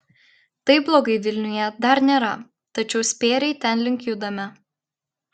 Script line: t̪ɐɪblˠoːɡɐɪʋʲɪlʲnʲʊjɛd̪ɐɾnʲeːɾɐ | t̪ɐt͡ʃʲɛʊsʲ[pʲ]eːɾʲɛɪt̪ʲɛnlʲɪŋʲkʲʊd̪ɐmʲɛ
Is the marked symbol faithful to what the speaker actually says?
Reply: yes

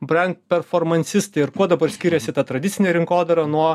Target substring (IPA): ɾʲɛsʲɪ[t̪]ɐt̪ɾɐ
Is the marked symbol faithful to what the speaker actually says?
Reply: yes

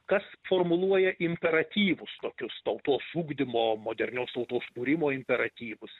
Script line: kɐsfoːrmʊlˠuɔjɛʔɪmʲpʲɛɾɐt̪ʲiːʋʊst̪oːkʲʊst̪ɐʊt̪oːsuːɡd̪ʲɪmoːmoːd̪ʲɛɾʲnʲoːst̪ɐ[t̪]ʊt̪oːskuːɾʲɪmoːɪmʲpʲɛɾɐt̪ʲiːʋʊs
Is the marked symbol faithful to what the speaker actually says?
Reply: no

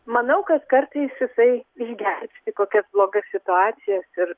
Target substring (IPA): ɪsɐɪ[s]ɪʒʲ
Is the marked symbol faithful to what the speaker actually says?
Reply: no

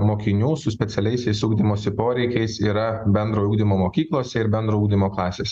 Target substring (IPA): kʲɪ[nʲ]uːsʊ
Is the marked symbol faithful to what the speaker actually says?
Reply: yes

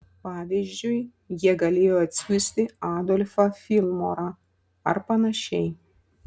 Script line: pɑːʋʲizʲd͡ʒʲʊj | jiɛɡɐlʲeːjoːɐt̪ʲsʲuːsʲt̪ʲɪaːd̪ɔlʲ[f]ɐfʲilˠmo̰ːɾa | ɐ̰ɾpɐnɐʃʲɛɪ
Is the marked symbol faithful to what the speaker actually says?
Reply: yes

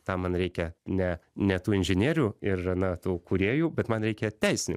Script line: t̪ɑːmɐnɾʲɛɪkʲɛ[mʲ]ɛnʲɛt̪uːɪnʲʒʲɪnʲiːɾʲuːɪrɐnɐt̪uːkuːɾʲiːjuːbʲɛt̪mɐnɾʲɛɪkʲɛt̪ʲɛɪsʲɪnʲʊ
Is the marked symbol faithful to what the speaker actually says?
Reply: no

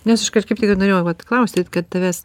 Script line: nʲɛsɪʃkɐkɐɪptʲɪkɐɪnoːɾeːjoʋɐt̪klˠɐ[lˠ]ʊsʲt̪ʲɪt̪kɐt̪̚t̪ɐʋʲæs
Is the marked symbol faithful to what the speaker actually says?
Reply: no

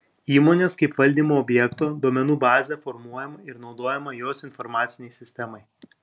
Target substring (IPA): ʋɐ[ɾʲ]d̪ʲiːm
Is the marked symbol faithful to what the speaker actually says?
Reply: no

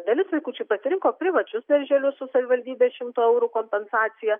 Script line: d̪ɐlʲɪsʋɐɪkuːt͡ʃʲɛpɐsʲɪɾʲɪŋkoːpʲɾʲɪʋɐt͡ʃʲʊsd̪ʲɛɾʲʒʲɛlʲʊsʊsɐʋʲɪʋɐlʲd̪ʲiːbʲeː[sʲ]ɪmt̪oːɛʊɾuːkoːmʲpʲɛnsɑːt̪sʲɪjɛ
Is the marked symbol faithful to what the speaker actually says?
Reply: no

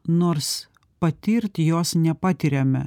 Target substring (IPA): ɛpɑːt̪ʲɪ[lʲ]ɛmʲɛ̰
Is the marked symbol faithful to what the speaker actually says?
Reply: no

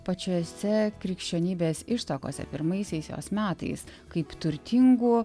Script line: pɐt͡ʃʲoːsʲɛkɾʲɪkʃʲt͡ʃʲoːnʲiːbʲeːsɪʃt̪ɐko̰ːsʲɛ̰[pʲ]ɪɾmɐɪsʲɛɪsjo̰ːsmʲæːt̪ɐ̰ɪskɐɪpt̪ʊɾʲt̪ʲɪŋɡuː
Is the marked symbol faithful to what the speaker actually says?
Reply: yes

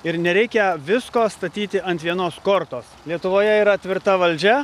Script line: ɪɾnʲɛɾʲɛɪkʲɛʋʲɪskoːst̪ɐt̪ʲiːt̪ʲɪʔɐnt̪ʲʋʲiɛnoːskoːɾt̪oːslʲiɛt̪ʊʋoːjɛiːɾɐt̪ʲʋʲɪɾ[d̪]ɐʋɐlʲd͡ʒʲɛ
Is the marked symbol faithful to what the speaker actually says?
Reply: no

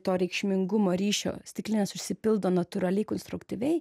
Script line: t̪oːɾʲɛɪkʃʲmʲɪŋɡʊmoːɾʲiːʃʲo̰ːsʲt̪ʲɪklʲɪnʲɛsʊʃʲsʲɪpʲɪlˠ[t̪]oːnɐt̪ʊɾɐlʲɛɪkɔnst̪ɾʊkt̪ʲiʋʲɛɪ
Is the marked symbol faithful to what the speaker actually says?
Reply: no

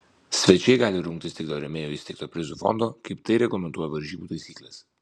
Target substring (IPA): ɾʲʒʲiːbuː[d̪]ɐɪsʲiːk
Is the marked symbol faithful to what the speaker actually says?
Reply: no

